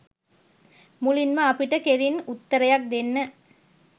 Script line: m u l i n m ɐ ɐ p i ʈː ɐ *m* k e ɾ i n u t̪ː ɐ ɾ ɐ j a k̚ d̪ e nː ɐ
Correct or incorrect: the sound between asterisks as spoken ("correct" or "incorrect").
incorrect